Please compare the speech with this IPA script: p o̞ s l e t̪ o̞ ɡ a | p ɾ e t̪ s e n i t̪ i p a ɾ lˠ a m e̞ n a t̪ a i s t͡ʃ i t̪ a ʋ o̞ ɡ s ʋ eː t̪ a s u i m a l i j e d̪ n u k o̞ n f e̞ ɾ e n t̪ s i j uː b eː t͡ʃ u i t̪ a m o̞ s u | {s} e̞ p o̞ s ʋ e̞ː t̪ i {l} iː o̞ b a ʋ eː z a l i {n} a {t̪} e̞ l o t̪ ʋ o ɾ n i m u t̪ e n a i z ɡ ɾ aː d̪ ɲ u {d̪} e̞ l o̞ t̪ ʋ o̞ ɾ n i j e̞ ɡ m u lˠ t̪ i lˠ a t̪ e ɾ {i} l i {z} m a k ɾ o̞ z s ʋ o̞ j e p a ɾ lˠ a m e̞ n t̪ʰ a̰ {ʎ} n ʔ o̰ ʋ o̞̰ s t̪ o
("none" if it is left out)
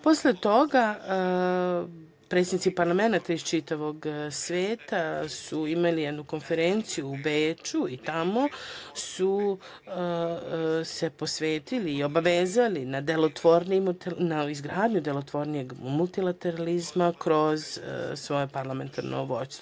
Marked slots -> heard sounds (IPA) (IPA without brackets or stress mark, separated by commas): s, l, n, d̪, d̪, a, z, ɾ